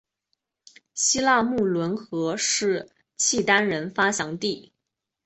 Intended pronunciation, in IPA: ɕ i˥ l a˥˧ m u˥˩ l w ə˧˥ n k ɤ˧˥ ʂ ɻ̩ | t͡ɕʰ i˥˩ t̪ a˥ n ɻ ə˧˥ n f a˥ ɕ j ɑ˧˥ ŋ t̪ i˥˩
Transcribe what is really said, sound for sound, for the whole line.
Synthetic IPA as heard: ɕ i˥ l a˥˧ m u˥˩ l w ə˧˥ n x ɤ˧˥ ʂ ɻ̩ | t͡ɕʰ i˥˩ t̪ a˥ n ɻ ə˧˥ n f a˥ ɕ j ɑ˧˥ ŋ t̪ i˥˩